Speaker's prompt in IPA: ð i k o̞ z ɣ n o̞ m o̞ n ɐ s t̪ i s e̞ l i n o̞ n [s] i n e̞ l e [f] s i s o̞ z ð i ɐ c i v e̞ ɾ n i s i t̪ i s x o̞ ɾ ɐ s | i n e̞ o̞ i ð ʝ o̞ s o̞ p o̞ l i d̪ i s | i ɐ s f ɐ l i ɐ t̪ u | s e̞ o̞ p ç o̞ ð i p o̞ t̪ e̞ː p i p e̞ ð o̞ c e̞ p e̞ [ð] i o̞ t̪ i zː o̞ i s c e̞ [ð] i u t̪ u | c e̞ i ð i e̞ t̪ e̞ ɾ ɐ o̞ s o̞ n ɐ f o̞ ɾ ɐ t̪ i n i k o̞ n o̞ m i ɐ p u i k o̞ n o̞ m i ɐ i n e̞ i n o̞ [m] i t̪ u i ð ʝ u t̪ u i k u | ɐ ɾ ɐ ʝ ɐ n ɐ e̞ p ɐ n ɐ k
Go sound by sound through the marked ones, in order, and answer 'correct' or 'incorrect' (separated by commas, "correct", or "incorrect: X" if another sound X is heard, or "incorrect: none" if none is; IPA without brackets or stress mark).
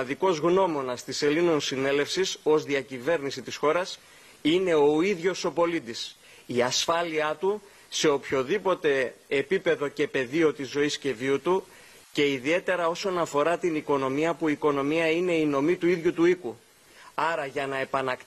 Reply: correct, correct, correct, incorrect: v, correct